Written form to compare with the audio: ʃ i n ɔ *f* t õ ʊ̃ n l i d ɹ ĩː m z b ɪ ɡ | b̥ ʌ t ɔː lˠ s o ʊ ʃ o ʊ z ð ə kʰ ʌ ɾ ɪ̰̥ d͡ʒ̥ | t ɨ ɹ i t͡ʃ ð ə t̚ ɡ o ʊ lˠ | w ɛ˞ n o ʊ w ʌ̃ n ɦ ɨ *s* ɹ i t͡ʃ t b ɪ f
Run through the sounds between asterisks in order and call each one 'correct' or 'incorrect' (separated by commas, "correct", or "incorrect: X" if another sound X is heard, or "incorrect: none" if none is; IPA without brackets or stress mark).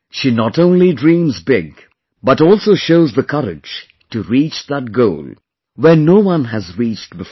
incorrect: none, incorrect: z